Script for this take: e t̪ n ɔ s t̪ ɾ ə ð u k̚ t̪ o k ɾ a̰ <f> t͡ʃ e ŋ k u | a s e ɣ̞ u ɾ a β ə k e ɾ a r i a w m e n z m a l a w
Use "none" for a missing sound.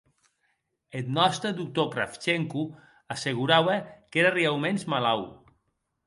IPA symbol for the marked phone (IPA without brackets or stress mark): f